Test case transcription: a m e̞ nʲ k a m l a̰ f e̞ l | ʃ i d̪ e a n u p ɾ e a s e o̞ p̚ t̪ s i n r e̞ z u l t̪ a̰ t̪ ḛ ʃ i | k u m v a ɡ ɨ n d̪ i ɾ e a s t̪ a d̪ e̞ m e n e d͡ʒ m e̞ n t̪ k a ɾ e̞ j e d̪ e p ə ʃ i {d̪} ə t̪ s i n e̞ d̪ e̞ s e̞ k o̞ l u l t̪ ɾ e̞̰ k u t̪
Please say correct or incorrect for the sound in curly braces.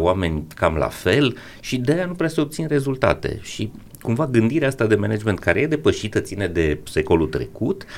incorrect